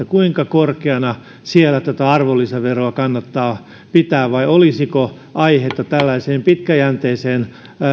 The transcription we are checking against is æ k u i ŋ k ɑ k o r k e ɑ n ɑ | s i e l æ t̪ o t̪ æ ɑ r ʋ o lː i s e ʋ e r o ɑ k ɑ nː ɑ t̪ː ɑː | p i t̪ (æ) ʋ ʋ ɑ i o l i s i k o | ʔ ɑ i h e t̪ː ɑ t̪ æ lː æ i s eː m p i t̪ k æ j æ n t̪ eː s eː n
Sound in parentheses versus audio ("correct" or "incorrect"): incorrect